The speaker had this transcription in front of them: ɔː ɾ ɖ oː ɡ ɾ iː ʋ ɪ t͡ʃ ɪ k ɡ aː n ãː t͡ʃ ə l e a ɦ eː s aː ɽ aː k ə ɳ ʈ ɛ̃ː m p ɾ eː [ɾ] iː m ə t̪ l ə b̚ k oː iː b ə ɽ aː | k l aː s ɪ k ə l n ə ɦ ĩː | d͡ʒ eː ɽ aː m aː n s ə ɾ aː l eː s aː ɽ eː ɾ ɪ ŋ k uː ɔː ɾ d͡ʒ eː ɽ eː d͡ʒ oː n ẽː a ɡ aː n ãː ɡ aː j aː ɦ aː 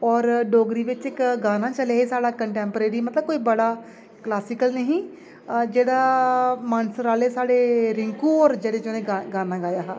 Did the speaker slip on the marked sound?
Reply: no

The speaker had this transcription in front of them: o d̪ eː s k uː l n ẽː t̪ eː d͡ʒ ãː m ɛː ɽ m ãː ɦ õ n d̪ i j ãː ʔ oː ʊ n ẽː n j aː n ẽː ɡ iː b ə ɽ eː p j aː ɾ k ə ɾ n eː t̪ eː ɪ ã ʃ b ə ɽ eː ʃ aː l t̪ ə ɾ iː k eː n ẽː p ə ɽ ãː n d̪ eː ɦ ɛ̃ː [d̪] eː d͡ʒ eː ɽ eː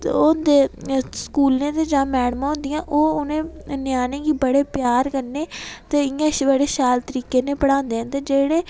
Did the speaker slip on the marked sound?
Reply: yes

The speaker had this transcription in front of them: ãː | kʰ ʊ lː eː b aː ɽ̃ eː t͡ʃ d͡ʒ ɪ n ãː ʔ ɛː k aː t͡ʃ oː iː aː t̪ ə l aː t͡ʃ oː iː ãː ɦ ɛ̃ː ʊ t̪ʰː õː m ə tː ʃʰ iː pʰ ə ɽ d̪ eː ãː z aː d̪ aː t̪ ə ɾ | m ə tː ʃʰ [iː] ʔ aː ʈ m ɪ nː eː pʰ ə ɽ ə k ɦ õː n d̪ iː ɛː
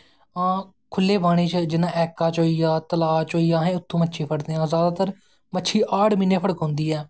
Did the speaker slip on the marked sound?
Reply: no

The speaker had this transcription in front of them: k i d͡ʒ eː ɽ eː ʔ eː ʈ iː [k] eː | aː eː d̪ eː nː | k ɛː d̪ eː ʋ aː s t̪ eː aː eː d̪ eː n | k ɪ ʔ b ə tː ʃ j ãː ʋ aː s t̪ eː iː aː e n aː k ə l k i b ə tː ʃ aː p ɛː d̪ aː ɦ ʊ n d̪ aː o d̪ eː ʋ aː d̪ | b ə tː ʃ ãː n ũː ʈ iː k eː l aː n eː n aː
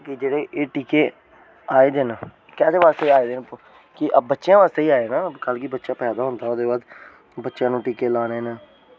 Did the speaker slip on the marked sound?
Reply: no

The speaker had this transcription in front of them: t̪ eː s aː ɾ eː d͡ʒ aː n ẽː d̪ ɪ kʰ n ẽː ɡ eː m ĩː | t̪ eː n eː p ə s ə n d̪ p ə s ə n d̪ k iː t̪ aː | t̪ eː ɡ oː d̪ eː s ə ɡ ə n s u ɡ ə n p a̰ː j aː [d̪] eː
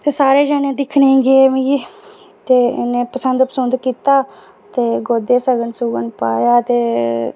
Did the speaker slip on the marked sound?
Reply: yes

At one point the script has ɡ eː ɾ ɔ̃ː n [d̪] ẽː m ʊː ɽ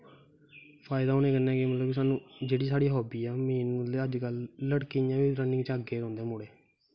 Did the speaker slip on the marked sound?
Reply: no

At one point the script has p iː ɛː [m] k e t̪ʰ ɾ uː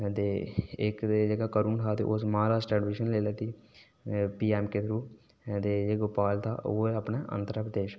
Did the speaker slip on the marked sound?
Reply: no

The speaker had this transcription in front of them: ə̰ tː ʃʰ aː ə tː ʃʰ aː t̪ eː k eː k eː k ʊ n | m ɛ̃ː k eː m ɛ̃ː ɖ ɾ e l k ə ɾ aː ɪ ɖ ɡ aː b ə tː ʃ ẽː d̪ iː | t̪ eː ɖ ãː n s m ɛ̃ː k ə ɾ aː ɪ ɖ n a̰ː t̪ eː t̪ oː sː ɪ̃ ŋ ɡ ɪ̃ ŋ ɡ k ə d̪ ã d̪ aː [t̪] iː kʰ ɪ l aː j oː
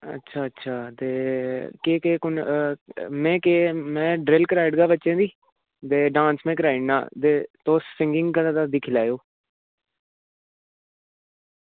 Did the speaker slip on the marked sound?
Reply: yes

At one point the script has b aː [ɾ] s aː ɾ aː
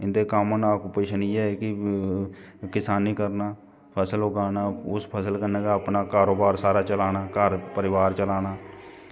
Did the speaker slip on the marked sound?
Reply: no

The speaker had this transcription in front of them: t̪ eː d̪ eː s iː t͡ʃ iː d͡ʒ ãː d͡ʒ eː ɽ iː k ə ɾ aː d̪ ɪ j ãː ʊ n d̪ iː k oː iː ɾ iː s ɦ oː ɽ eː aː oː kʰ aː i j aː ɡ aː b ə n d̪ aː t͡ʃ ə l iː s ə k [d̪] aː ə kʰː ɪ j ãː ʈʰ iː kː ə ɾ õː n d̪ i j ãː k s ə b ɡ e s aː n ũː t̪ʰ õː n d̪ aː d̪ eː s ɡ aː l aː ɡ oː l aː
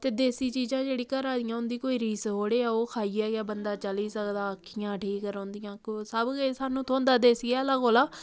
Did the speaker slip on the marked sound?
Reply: no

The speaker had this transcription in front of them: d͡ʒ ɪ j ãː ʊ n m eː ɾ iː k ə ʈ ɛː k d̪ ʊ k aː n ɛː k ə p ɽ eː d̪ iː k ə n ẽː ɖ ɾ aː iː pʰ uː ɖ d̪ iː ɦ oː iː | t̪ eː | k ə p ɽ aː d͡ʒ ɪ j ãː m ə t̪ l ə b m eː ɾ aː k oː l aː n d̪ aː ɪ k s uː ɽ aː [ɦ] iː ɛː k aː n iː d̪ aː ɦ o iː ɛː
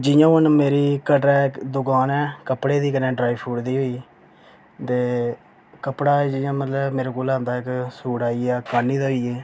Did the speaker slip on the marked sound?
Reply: yes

